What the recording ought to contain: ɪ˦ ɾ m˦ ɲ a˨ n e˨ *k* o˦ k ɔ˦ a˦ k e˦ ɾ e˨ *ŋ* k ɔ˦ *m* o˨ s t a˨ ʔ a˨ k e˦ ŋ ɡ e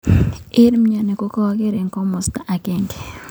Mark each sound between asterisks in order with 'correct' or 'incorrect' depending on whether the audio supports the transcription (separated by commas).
correct, correct, correct